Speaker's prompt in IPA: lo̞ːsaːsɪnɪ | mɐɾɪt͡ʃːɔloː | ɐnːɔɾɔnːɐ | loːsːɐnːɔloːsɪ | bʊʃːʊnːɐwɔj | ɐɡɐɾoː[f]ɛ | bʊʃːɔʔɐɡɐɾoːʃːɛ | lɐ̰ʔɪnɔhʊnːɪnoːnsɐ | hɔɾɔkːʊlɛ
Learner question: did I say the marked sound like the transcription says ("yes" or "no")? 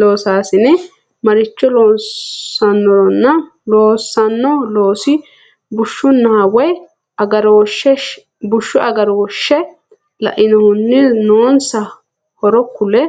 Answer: no